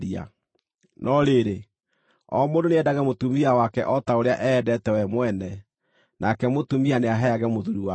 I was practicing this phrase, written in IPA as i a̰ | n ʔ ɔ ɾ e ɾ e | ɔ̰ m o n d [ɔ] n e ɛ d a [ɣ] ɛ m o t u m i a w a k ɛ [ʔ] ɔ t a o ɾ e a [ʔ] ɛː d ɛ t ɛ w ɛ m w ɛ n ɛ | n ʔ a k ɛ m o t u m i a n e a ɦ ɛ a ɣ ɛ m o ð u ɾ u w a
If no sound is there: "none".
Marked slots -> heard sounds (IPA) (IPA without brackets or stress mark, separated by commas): o, ɣ, ʔ, ʔ